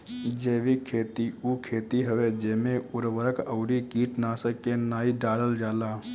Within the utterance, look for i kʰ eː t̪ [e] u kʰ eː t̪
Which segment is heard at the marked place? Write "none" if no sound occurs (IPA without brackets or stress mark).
i